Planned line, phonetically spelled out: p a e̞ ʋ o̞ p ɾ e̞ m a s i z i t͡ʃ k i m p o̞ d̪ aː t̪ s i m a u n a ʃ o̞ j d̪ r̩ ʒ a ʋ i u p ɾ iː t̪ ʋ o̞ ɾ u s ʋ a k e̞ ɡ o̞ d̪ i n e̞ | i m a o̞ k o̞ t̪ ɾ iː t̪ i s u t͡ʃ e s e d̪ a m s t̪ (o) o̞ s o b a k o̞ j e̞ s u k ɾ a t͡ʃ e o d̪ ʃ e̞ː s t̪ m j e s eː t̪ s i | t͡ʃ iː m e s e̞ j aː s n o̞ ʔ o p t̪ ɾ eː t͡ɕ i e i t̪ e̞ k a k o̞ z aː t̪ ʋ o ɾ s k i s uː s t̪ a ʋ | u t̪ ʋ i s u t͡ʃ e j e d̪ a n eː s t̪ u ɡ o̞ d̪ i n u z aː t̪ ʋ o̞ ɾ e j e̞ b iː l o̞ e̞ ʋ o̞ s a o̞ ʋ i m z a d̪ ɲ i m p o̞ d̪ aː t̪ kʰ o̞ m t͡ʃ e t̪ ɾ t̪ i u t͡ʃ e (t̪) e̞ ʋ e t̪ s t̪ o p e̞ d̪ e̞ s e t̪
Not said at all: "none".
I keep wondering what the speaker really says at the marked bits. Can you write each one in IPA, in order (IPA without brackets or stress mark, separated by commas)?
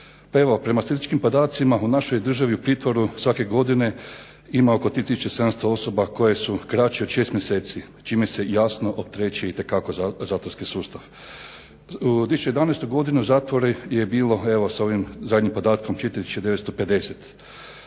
o, d̪